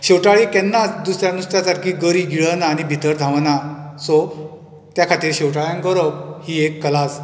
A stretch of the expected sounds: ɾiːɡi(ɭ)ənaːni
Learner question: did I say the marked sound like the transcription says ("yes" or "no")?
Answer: yes